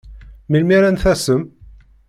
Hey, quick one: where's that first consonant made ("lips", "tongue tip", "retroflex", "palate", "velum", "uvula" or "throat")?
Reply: lips